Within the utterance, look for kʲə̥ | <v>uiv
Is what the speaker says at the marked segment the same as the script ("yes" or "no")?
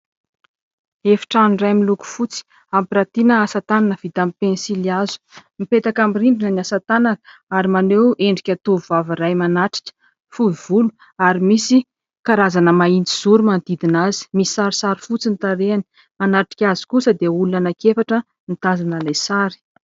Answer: no